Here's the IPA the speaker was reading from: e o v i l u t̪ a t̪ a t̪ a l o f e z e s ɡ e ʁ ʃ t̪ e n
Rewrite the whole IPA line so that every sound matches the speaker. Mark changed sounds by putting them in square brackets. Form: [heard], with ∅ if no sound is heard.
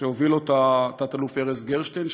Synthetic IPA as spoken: e o v i l [o] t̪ a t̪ a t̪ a l [u] f e [ʁ] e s ɡ e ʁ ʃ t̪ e n